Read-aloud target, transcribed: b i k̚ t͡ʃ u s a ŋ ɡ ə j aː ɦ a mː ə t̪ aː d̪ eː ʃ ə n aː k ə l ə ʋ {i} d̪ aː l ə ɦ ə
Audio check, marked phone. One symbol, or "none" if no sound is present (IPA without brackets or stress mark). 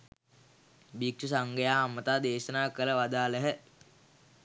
a